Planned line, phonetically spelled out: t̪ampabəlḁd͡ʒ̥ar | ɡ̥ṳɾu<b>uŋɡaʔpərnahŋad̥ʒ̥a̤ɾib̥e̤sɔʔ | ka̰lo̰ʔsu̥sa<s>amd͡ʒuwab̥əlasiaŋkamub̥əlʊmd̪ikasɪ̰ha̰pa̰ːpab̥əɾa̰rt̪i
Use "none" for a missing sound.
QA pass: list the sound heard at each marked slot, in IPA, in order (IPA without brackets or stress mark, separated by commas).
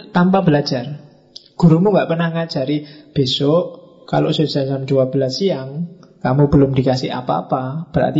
m, s